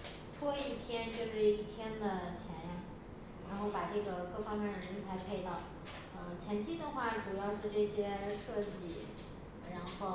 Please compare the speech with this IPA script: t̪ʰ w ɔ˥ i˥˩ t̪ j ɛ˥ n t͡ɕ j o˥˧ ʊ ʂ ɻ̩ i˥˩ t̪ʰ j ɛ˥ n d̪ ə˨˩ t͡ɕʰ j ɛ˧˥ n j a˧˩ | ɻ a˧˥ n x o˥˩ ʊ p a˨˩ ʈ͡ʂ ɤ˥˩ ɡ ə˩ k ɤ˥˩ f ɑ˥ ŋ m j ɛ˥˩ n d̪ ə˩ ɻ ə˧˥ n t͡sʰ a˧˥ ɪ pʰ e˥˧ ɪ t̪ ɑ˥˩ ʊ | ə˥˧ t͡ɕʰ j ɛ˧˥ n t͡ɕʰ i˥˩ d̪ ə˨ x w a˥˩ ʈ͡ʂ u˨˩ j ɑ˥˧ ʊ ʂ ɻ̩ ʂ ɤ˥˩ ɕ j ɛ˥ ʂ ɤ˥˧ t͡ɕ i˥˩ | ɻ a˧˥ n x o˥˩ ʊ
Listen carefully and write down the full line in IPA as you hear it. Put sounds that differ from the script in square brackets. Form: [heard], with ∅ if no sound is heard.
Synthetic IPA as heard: t̪ʰ w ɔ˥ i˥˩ [t̪ʰ] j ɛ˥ n t͡ɕ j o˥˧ ʊ ʂ ɻ̩ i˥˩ t̪ʰ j ɛ˥ n d̪ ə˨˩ t͡ɕʰ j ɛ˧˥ n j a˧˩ | ɻ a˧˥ n x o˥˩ ʊ p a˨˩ ʈ͡ʂ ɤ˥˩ ɡ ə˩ k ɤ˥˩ f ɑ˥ ŋ m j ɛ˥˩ n d̪ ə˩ ɻ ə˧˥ n t͡sʰ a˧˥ ɪ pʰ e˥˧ ɪ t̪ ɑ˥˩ ʊ | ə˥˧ t͡ɕʰ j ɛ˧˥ n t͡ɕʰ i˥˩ d̪ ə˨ x w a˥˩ ʈ͡ʂ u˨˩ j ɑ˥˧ ʊ ʂ ɻ̩ [ʈ͡ʂ] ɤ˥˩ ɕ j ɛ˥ ʂ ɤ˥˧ t͡ɕ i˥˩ | ɻ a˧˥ n x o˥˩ ʊ